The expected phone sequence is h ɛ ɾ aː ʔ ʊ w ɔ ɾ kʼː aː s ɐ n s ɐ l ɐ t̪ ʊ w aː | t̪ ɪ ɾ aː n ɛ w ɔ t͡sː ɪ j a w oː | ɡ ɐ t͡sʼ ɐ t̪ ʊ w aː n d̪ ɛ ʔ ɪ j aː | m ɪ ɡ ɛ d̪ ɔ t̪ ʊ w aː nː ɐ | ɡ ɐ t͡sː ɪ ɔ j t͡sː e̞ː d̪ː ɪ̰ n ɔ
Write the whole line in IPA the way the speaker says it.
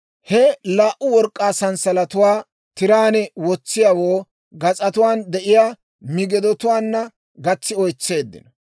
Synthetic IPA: h ɛ l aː ʔ ʊ w ɔ ɾ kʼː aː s ɐ n s ɐ l ɐ t̪ ʊ w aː | t̪ ɪ ɾ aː n ɛ w ɔ t͡sː ɪ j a w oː | ɡ ɐ t͡sʼ ɐ t̪ ʊ w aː n d̪ ɛ ʔ ɪ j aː | m ɪ ɡ ɛ d̪ ɔ t̪ ʊ w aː nː ɐ | ɡ ɐ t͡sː ɪ ɔ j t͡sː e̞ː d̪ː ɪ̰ n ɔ